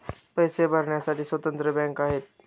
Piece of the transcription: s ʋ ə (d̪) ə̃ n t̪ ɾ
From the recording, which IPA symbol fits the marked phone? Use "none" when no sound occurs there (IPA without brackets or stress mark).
t̪